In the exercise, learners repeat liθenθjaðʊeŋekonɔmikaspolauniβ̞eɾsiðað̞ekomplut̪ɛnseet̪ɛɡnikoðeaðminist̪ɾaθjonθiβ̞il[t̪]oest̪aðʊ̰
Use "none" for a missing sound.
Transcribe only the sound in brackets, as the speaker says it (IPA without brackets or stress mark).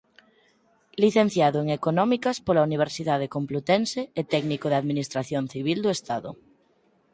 d̪